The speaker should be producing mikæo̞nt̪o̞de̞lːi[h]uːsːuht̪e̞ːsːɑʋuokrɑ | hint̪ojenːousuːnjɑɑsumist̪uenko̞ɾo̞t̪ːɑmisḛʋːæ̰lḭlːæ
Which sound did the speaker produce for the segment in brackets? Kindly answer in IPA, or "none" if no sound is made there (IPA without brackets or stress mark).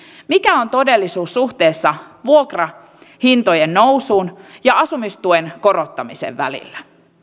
s